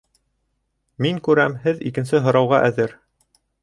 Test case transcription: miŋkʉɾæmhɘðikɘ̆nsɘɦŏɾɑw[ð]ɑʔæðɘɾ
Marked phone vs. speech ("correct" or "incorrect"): incorrect